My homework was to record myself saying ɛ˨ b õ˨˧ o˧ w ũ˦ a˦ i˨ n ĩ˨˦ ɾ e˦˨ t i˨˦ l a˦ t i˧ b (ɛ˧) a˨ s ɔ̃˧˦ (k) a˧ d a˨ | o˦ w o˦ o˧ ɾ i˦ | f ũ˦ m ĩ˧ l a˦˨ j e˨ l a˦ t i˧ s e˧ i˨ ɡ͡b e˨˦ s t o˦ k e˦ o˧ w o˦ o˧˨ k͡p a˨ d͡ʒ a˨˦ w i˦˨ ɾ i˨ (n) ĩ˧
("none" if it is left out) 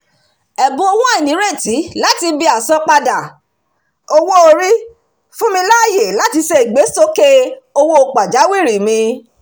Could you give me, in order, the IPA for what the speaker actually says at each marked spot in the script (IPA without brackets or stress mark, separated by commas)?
i˧, k͡p, m